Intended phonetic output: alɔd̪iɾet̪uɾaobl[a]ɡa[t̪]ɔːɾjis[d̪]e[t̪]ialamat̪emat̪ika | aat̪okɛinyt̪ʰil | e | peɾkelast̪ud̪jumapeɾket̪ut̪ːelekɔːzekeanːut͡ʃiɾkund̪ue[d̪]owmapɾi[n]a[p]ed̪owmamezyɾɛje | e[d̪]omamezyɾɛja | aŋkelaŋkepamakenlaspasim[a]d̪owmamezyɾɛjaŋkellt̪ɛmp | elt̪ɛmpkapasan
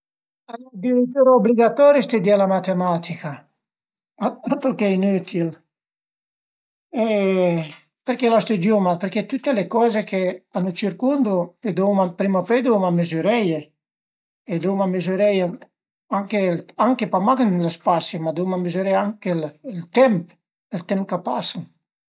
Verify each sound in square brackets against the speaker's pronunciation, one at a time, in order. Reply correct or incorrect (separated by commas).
incorrect, correct, incorrect, incorrect, correct, incorrect, correct, correct, correct